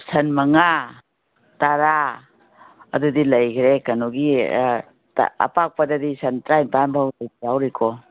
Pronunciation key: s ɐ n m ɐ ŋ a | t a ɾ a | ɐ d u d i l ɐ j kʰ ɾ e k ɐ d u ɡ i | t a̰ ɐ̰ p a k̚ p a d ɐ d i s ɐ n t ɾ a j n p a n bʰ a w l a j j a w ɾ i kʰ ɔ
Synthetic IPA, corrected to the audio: s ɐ n m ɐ ŋ a | t a ɾ a | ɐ d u d i l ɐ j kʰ ɾ e k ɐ n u ɡ i | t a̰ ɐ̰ p a k̚ p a d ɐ d i s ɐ n t ɾ a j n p a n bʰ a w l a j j a w ɾ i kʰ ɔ